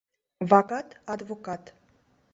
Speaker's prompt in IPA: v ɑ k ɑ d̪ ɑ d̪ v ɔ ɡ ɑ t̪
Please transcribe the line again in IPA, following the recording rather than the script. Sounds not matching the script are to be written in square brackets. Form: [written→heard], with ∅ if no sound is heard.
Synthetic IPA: v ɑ k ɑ [d̪→t̪] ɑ d̪ v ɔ [ɡ→k] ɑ t̪

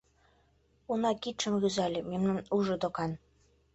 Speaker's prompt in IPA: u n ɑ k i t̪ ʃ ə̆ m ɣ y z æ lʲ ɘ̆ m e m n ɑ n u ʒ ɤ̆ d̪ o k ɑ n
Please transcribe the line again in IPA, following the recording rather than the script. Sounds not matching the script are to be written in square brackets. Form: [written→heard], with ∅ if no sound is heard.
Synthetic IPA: u n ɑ k i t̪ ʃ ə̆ m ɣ y z æ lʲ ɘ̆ m e m n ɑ n u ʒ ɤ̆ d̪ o k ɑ n

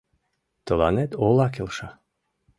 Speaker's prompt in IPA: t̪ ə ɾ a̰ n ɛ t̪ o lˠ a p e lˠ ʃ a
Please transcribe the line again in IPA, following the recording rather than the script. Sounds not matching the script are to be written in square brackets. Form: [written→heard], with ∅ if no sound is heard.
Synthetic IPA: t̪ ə [ɾ→l] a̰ n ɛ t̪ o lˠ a [p→k] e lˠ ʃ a

